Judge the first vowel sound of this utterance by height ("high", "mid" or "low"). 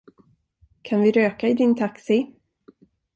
low